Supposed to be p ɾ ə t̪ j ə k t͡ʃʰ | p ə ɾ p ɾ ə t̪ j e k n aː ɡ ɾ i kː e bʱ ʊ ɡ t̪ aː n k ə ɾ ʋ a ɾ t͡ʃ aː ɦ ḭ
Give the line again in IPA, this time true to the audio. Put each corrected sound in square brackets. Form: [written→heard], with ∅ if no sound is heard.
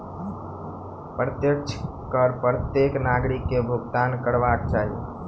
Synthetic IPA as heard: p ɾ ə t̪ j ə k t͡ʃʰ | [p→k] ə ɾ p ɾ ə t̪ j e k n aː ɡ ɾ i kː e bʱ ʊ ɡ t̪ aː n k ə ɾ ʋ a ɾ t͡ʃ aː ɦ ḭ